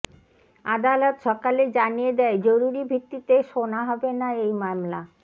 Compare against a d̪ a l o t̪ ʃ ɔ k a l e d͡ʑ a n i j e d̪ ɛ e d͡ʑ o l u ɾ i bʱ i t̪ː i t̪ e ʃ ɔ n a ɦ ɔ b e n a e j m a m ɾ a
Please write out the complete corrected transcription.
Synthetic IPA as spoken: a d̪ a l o t̪ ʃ ɔ k a l e d͡ʑ a n i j e d̪ ɛ e d͡ʑ o ɾ u ɾ i bʱ i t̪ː i t̪ e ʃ o n a ɦ ɔ b e n a e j m a m l a